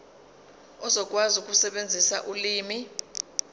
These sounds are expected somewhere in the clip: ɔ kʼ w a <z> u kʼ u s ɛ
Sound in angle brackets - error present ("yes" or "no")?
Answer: no